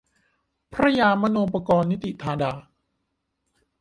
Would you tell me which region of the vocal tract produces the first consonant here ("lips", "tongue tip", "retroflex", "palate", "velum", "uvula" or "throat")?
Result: lips